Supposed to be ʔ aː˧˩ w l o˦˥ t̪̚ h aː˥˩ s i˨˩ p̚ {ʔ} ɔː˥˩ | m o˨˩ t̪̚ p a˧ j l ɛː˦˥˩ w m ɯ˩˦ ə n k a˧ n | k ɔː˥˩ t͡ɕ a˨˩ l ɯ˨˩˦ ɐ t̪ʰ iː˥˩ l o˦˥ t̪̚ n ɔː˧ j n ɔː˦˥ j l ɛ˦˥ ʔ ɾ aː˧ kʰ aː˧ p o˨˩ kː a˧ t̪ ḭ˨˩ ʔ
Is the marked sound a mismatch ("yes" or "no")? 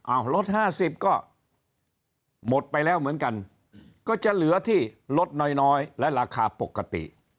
yes